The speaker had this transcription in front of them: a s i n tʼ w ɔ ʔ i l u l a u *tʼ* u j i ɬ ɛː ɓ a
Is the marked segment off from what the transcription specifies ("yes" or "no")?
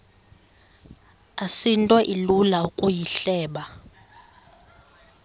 yes